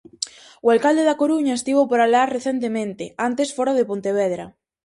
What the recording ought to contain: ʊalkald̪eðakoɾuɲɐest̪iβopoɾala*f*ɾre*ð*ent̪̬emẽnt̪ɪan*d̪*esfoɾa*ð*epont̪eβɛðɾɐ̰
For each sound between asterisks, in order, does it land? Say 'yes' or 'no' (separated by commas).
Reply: no, no, no, yes